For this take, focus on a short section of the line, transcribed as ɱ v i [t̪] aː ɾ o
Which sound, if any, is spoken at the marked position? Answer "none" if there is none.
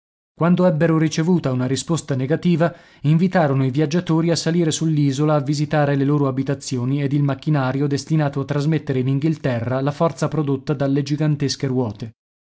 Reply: t̪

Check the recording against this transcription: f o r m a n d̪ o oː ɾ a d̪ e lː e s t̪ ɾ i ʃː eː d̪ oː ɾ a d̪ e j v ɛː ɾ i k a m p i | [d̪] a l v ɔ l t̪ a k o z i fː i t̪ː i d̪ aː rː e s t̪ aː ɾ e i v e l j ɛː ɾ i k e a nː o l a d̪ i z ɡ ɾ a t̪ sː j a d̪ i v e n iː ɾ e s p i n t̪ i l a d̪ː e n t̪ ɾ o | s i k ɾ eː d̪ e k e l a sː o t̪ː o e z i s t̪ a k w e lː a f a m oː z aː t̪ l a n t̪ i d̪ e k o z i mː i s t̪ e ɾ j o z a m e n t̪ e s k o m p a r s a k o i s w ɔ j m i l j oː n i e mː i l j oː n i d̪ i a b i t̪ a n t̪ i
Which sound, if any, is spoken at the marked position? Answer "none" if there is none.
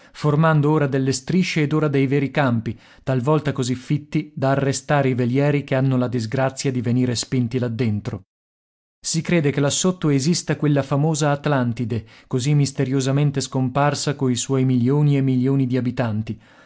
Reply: t̪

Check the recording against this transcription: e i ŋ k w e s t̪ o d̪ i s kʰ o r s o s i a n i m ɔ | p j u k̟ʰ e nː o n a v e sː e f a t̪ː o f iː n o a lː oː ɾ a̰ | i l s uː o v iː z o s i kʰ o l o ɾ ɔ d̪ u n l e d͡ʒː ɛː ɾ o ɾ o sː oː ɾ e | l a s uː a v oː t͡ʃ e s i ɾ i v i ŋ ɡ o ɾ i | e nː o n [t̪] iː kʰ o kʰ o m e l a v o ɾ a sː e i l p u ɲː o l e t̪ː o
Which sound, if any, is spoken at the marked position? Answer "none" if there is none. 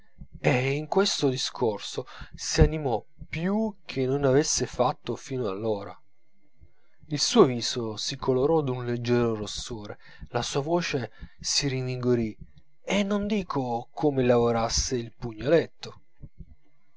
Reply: d̪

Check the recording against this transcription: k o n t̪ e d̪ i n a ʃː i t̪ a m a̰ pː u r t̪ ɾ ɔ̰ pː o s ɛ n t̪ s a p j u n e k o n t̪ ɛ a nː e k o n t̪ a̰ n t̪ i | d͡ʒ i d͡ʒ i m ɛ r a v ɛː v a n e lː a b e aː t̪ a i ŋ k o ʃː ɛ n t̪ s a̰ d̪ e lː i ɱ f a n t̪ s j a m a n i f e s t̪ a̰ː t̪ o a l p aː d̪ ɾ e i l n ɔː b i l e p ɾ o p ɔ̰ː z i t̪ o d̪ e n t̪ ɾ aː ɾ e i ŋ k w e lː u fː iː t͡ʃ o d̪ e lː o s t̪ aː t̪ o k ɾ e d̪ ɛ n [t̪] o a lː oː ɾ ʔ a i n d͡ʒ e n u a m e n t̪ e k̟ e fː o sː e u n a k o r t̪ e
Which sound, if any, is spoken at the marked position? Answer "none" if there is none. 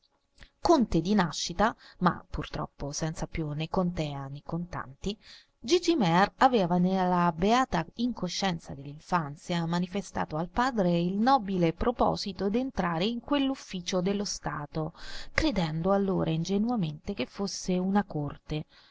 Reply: d̪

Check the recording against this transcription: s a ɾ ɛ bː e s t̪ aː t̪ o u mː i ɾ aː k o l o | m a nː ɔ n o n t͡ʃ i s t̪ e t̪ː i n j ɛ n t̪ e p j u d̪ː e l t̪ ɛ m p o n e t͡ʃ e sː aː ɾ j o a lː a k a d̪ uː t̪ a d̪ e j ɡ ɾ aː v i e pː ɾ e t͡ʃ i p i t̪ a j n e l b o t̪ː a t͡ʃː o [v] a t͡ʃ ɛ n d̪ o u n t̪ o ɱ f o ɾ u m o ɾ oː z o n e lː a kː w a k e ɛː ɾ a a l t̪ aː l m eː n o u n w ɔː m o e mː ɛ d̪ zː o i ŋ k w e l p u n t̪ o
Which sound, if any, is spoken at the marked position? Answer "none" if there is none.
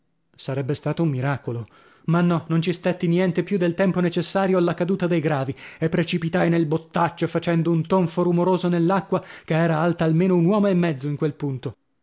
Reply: f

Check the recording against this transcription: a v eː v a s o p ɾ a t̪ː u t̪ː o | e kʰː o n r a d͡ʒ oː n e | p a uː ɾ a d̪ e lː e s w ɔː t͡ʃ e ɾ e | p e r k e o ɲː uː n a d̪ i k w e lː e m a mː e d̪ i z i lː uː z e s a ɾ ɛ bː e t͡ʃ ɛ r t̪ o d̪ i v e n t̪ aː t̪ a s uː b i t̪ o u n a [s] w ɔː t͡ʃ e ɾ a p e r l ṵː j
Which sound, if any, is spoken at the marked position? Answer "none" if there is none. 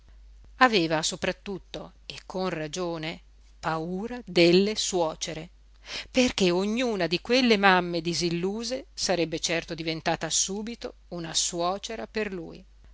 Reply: s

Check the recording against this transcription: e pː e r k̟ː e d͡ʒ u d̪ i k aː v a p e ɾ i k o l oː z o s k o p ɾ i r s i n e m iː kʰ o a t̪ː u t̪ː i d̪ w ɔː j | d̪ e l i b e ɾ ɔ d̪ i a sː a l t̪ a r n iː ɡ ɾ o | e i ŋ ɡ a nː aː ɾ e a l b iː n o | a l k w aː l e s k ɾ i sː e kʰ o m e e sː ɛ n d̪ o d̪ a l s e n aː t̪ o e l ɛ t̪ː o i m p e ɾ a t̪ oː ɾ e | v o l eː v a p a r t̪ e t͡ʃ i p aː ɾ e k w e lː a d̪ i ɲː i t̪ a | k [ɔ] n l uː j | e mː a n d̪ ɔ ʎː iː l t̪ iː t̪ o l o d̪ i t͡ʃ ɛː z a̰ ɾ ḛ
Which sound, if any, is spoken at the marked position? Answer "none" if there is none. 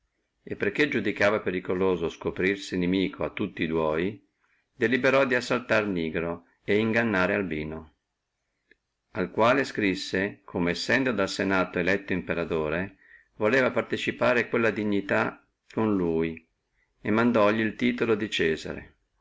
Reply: o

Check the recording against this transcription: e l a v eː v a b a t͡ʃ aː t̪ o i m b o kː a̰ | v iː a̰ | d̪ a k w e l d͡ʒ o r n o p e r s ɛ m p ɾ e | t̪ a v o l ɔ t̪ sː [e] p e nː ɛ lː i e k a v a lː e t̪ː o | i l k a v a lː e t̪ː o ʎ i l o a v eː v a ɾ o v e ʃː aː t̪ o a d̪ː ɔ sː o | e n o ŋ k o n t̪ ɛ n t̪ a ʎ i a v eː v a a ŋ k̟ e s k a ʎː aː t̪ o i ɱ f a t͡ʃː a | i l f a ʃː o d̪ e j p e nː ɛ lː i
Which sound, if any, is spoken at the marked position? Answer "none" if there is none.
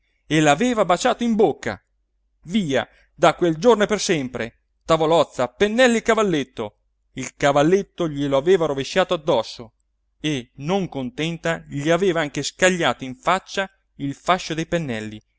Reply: a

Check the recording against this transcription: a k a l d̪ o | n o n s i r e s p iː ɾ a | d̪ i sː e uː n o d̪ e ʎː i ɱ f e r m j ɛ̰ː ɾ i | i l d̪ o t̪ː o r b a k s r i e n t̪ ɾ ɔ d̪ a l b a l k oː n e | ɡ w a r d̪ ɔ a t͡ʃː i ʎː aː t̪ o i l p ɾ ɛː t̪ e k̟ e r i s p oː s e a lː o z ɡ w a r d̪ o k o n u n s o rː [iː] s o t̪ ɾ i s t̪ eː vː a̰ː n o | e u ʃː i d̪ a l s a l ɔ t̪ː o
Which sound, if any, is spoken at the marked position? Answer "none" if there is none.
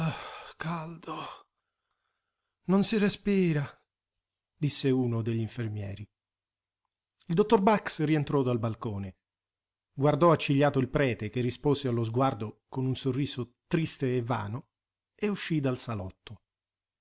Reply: iː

